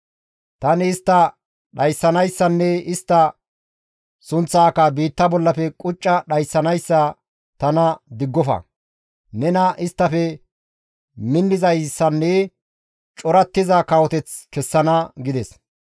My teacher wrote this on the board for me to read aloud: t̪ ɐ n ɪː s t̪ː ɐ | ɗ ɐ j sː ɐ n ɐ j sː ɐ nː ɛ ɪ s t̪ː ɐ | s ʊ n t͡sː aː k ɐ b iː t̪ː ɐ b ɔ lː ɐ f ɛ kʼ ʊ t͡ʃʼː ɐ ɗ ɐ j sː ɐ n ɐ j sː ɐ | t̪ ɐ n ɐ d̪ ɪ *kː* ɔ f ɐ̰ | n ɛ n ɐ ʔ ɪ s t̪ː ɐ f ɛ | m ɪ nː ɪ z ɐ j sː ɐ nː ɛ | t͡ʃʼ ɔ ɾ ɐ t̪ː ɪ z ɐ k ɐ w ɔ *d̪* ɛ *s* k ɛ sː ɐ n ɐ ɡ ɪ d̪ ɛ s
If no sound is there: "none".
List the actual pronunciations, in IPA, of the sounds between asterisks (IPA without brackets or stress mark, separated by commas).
ɡː, t̪, t͡s